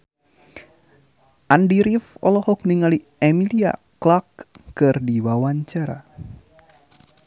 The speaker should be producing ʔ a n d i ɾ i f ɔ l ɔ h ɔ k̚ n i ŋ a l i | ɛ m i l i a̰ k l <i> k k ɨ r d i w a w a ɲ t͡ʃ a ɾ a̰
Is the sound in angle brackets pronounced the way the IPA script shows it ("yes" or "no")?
no